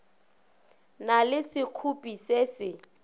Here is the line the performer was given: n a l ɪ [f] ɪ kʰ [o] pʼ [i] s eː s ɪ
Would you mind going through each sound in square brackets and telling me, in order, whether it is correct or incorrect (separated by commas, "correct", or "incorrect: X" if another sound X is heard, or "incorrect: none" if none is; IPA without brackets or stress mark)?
incorrect: s, incorrect: u, correct